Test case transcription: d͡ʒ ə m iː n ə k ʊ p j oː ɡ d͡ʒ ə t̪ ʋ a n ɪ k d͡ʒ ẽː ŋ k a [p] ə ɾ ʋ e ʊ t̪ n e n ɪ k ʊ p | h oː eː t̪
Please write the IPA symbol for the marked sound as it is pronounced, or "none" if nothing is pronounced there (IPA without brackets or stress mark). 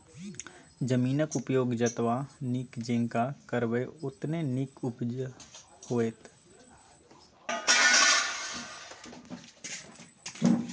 k